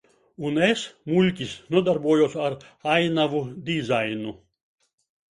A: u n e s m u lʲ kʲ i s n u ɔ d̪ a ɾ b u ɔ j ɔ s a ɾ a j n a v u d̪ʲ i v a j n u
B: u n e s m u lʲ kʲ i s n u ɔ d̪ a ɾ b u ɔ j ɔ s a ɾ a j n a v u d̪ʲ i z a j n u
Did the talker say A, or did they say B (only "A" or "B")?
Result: B